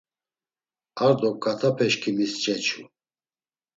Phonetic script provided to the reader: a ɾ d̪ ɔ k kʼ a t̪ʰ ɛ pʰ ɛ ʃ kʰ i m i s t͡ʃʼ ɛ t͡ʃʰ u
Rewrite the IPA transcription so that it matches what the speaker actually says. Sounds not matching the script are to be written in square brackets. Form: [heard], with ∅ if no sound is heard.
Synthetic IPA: a ɾ d̪ ɔ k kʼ a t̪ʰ [a] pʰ ɛ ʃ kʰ i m i s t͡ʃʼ ɛ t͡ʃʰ u